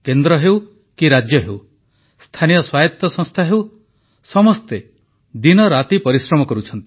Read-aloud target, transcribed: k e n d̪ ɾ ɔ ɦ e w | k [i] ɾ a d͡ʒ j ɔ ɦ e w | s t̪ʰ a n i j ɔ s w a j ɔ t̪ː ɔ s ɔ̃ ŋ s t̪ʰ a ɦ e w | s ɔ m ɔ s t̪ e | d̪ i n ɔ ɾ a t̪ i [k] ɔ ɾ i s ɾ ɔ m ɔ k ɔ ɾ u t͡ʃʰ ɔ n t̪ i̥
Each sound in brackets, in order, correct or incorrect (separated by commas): correct, incorrect